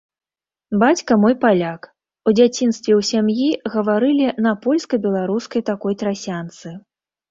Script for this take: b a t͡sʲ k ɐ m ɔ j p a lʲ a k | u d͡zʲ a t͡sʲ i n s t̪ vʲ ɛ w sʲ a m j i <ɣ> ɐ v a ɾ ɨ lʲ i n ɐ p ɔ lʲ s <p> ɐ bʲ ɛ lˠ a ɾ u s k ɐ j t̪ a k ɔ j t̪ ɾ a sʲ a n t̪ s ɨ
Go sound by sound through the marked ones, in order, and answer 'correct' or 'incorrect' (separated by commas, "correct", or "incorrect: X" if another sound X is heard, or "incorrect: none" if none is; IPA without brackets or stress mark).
correct, incorrect: k